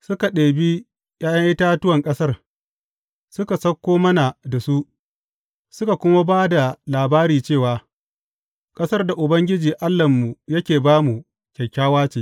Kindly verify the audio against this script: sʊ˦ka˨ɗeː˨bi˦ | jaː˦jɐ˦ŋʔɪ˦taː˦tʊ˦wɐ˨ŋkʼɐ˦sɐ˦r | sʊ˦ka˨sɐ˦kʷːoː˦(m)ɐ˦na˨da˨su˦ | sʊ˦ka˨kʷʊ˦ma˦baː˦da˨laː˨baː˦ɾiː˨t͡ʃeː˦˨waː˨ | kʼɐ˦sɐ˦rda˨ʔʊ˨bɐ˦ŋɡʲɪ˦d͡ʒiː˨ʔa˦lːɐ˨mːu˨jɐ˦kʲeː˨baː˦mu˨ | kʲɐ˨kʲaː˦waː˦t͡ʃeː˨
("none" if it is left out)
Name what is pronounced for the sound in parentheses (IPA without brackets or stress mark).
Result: m